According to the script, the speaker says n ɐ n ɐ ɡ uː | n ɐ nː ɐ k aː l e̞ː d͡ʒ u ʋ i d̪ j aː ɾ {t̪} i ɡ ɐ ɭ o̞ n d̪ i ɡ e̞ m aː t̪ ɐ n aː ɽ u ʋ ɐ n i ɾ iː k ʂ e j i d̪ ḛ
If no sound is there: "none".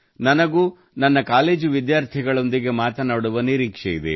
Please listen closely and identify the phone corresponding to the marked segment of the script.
t̪ʰ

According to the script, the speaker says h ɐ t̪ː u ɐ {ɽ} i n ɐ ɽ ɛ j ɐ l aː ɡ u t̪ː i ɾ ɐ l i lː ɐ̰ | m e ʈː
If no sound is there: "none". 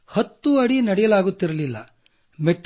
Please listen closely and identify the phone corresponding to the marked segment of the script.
ɽ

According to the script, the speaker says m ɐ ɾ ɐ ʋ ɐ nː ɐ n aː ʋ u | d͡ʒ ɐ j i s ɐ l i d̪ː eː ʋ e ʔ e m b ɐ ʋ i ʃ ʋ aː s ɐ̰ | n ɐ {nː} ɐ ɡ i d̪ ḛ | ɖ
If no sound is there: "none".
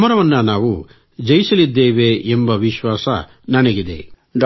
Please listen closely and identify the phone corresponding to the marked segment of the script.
n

